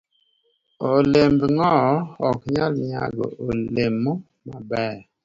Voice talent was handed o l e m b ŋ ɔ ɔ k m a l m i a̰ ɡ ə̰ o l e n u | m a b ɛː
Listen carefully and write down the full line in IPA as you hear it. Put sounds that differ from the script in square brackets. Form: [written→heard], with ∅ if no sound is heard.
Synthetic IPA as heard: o l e m b ŋ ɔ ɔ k [m→ɲ] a l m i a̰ ɡ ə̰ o l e [n→m] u | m a b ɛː